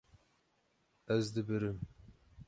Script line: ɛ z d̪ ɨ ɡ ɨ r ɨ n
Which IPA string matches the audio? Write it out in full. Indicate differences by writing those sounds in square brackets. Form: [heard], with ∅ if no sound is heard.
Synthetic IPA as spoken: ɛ z d̪ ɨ [b] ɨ [ɾ] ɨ [m]

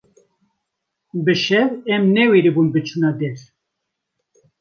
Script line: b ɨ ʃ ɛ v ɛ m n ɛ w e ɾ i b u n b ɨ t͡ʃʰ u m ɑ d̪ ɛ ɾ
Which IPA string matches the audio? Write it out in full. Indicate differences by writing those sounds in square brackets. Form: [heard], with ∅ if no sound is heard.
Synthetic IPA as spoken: b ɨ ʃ ɛ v ɛ m n ɛ w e ɾ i b u n b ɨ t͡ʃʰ u [n] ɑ d̪ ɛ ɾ

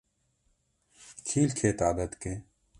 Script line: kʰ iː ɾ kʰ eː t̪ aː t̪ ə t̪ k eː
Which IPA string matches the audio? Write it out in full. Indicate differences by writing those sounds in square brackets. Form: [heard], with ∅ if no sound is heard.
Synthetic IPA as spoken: kʰ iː [l] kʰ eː t̪ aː [d̪] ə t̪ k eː

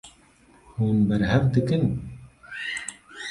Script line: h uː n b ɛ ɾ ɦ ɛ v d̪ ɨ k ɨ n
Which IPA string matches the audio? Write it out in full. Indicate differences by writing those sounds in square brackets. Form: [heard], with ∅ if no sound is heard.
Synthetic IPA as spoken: h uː n b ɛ ɾ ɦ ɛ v d̪ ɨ k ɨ n

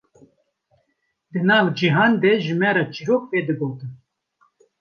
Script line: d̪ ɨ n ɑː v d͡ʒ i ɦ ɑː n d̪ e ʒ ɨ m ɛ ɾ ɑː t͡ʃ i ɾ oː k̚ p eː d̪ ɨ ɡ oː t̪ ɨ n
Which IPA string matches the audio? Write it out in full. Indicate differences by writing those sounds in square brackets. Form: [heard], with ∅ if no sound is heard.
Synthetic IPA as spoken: d̪ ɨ n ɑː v d͡ʒ i ɦ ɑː n d̪ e ʒ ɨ m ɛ ɾ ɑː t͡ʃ i ɾ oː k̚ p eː d̪ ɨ ɡ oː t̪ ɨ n

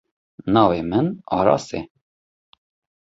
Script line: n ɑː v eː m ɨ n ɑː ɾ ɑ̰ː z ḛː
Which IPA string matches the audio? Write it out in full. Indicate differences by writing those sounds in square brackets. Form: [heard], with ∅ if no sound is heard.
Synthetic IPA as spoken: n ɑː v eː m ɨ n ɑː ɾ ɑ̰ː [s] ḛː

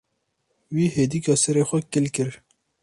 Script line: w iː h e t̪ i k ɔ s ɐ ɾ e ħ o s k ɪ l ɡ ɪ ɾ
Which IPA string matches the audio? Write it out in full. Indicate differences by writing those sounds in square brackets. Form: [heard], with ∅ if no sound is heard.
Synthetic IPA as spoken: w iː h e [d̪] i k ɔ s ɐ ɾ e [x] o [∅] k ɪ l [k] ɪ ɾ

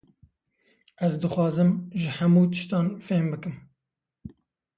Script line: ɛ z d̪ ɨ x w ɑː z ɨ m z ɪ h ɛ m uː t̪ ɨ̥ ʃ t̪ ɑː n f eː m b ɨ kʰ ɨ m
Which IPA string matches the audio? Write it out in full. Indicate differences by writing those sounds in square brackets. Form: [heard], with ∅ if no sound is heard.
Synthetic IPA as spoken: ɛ z d̪ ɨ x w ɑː z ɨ m [ʒ] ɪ h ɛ m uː t̪ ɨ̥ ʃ t̪ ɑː n f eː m b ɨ [k] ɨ m

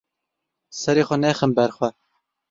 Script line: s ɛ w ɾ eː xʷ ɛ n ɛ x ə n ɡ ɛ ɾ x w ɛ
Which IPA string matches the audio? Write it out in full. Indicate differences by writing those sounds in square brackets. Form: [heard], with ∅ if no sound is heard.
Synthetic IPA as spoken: s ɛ [∅] ɾ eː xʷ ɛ n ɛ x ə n [b] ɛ ɾ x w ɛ

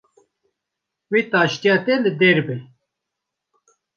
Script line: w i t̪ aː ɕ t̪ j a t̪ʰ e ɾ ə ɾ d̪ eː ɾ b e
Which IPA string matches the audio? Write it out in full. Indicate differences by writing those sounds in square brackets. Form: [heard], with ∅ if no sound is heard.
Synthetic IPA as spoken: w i t̪ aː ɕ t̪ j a [t̪] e [l] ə [∅] d̪ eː ɾ b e

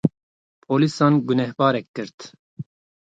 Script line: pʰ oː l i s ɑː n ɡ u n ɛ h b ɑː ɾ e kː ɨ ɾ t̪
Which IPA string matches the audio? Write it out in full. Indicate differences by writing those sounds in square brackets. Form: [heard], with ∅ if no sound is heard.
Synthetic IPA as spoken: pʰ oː l i s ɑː n ɡ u n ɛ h b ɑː ɾ [ɛ] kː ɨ ɾ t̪

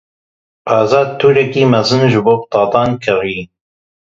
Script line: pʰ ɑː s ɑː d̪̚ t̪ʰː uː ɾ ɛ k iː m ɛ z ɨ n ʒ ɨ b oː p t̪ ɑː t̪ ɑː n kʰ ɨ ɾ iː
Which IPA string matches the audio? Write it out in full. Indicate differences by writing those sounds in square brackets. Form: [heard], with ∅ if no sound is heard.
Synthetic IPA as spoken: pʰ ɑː [z] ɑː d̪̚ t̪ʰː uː ɾ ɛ k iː m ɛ z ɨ n ʒ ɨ b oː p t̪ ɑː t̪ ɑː n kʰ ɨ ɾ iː

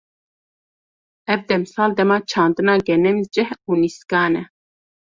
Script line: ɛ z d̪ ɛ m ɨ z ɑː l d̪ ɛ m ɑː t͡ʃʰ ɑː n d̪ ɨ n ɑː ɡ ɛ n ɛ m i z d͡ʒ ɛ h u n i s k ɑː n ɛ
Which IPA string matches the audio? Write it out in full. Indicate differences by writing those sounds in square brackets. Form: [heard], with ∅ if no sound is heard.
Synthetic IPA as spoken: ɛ [v] d̪ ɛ m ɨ [s] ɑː l d̪ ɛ m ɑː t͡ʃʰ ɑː n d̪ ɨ n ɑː ɡ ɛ n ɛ m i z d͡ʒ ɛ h u n i s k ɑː n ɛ

